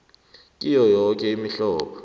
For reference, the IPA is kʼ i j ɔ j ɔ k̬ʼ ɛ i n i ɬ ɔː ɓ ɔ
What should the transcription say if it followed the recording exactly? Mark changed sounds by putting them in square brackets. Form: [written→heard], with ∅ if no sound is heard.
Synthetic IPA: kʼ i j ɔ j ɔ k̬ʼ ɛ i [n→m] i ɬ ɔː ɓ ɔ